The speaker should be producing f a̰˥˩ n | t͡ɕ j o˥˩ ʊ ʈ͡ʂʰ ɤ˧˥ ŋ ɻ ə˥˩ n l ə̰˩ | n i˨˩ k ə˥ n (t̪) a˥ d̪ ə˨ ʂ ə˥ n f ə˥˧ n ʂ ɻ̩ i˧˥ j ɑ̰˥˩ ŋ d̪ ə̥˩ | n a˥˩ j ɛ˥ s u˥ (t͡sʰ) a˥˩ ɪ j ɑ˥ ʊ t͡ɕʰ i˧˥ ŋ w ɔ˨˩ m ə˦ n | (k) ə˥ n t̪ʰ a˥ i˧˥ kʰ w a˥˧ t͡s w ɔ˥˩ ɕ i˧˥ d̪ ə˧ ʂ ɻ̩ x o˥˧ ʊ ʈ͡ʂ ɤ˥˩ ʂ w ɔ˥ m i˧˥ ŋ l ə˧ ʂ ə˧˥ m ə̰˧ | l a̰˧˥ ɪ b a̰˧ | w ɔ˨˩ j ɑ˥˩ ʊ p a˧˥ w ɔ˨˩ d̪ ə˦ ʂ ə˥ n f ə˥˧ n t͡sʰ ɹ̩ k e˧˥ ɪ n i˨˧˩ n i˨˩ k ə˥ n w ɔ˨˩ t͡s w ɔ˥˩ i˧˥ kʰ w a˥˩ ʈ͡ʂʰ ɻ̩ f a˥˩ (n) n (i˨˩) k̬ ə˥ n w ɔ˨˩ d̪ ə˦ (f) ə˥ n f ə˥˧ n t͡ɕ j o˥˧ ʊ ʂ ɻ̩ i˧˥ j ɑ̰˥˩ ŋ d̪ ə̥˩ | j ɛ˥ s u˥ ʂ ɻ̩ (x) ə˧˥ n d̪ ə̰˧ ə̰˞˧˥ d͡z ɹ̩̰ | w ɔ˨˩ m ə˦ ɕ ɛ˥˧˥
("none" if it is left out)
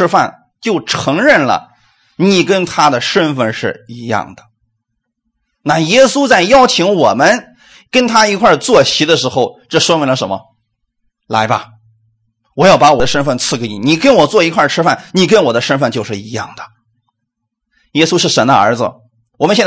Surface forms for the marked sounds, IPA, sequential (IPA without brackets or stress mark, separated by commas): t̪ʰ, t͡s, k, n, i˨˩, ʂ, ʂ